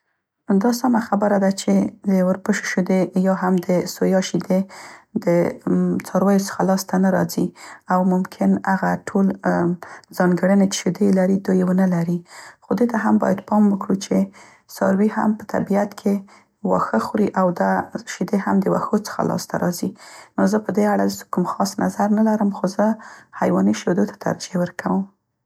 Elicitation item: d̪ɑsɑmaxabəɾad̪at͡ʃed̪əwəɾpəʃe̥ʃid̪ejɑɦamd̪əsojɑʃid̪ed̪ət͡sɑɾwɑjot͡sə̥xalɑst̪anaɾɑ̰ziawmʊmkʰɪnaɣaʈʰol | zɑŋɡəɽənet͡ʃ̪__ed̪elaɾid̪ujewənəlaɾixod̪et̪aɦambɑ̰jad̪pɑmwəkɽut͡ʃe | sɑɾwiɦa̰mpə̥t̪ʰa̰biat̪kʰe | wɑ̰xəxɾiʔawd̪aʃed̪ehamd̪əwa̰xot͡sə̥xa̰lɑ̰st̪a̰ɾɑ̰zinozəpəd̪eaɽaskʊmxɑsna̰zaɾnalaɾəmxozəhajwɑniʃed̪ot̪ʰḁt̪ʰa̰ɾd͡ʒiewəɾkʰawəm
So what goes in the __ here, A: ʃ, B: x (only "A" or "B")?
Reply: A